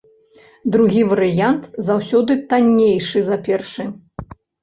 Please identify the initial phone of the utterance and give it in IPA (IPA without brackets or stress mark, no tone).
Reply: d̪